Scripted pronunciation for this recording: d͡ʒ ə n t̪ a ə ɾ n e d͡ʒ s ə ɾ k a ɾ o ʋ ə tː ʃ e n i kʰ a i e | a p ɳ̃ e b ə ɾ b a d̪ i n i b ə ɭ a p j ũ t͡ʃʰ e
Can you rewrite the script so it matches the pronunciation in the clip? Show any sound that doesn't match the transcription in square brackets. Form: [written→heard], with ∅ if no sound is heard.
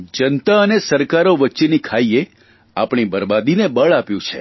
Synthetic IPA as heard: d͡ʒ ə n t̪ a ə [ɾ→∅] n e [d͡ʒ→∅] s ə ɾ k a ɾ o ʋ ə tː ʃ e n i kʰ a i e | a p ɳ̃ [e→i] b ə ɾ b a d̪ i n [i→e] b ə ɭ a p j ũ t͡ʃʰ e